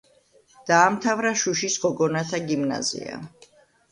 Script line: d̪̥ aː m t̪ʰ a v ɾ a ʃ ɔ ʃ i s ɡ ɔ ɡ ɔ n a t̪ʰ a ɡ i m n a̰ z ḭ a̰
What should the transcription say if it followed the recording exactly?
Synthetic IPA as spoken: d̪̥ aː m t̪ʰ a v ɾ a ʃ u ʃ i s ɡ ɔ ɡ ɔ n a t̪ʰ a ɡ i m n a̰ z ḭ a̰